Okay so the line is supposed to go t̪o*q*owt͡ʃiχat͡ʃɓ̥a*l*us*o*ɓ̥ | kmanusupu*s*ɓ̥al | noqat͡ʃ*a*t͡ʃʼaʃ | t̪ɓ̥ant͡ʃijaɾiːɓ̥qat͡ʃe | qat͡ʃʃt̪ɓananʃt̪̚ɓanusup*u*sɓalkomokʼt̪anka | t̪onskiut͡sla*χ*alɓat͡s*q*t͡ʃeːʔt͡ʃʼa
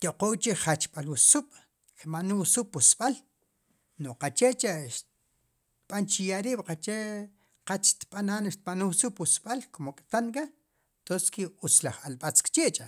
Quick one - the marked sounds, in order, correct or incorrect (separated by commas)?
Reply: correct, correct, incorrect, correct, incorrect, correct, correct, incorrect